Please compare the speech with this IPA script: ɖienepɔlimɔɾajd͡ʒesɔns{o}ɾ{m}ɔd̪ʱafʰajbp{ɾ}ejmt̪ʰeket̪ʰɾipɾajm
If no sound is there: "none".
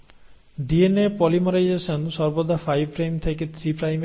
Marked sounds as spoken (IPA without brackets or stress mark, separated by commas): ɔ, b, ɾ